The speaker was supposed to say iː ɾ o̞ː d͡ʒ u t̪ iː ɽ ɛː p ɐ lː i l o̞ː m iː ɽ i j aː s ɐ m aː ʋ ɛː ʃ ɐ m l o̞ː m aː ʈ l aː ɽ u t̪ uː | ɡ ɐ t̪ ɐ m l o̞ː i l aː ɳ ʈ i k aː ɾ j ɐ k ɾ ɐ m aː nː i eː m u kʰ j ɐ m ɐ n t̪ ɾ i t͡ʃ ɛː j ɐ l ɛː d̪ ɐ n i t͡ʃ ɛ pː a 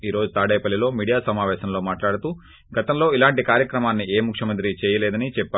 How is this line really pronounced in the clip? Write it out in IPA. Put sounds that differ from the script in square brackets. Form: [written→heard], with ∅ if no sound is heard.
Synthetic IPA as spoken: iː ɾ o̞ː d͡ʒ u t̪ [iː→aː] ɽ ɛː p ɐ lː i l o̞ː m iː ɽ i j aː s ɐ m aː ʋ ɛː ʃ ɐ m l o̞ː m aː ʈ l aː ɽ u t̪ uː | ɡ ɐ t̪ ɐ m l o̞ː i l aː ɳ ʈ i k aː ɾ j ɐ k ɾ ɐ m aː nː i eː m u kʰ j ɐ m ɐ n t̪ ɾ i t͡ʃ ɛː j ɐ l ɛː d̪ ɐ n i t͡ʃ ɛ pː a